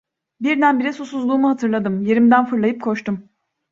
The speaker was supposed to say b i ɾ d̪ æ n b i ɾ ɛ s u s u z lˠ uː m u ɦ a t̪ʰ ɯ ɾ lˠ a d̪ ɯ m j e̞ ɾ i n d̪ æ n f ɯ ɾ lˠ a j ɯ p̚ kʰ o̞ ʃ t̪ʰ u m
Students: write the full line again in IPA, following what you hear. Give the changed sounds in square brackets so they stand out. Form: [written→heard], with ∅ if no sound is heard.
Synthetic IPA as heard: b i ɾ d̪ æ n b i ɾ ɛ s u s u z lˠ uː m u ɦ a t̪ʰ ɯ ɾ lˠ a d̪ ɯ m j e̞ ɾ i [n→m] d̪ æ n f ɯ ɾ lˠ a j ɯ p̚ kʰ o̞ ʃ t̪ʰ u m